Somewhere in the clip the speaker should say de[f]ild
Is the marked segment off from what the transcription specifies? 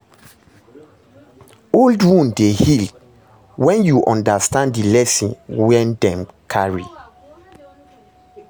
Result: yes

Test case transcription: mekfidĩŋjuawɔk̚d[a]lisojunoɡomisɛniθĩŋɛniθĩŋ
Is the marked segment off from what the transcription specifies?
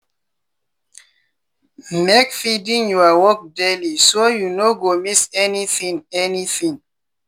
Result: yes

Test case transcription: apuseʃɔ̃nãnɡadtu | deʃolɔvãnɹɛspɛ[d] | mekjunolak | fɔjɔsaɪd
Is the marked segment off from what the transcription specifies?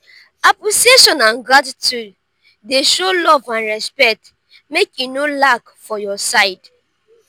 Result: yes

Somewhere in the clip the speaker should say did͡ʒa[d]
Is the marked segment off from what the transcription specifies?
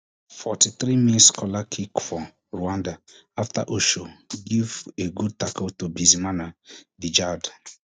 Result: no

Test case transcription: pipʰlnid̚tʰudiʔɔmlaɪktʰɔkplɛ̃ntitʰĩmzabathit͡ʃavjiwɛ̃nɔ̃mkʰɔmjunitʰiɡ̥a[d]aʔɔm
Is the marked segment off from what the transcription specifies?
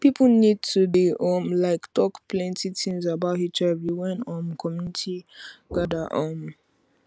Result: no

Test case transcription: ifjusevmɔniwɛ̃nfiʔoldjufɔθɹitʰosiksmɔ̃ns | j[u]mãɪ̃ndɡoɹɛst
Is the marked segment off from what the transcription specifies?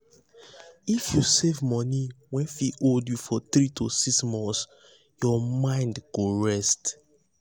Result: yes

